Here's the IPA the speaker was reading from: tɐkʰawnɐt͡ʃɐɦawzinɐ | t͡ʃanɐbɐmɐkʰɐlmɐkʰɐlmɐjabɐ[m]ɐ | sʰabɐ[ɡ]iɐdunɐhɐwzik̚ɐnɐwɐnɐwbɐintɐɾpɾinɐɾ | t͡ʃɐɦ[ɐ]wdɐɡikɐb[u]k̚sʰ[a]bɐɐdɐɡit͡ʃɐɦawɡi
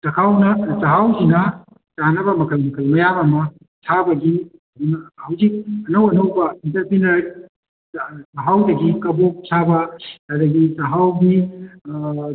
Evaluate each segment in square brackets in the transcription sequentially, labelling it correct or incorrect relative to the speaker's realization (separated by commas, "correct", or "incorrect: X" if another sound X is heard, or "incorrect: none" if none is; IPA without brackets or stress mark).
correct, correct, incorrect: a, incorrect: o, correct